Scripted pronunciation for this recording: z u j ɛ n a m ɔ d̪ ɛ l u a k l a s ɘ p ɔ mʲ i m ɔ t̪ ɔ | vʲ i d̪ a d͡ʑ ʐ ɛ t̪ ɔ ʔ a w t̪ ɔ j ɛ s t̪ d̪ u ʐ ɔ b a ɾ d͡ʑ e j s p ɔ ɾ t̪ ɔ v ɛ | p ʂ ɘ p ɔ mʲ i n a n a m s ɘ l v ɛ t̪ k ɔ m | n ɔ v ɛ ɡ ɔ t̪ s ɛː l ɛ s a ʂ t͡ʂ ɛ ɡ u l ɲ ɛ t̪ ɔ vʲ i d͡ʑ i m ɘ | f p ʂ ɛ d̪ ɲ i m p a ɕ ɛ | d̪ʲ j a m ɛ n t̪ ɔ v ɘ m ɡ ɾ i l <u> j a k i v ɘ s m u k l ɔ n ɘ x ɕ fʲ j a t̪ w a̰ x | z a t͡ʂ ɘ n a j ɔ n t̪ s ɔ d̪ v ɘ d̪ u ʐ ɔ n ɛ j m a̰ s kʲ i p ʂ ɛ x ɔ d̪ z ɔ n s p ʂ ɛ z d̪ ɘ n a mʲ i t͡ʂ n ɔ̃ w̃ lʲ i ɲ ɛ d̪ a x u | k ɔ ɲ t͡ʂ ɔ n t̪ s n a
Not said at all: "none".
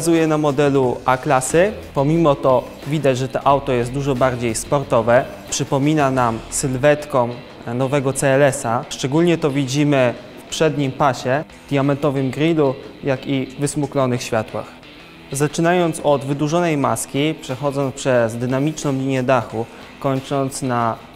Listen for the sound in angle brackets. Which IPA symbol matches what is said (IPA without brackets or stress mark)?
u